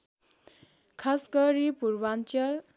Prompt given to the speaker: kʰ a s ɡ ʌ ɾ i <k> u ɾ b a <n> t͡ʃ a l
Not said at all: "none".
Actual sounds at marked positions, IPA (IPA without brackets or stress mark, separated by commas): p, n